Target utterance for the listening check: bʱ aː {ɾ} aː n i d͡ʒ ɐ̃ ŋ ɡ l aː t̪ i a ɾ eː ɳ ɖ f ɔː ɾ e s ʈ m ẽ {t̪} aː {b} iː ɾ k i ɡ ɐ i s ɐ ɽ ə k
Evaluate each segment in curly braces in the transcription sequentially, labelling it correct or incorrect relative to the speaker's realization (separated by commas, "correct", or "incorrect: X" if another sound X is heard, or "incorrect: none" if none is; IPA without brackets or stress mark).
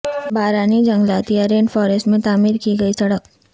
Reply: correct, correct, incorrect: m